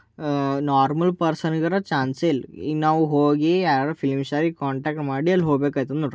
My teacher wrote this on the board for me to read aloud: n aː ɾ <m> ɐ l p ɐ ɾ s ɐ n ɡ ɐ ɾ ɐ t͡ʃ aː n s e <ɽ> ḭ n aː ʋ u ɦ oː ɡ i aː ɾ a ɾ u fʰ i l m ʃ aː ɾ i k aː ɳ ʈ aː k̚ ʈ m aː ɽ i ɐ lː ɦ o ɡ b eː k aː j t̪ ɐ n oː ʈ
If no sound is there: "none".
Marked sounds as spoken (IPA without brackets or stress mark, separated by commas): m, l